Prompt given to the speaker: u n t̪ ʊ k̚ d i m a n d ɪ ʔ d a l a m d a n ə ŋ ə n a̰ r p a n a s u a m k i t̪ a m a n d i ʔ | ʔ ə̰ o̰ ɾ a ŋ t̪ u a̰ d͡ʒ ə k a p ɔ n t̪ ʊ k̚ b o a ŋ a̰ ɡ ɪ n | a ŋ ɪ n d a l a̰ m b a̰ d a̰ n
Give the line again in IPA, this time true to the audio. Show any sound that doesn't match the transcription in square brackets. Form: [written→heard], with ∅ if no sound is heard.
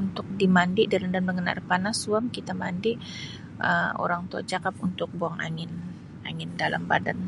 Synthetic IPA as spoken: u n t̪ ʊ k̚ d i m a n d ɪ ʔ d a l a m d a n ə ŋ ə n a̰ r p a n a s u a m k i t̪ a m a n d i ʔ | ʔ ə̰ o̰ ɾ a ŋ t̪ u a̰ d͡ʒ [ə→a] k a p [ɔ→u] n t̪ ʊ k̚ b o a ŋ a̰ [ɡ→ŋ] ɪ n | a ŋ ɪ n d a l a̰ m b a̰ d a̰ n